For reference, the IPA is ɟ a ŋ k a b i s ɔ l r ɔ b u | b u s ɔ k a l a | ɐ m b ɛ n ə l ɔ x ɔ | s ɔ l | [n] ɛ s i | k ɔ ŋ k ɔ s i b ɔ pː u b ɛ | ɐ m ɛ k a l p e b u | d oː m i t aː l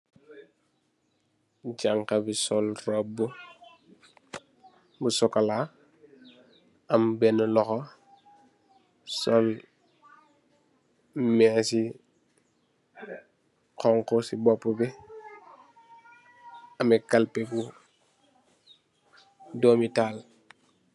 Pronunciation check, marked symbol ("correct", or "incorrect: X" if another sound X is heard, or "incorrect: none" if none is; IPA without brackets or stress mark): incorrect: m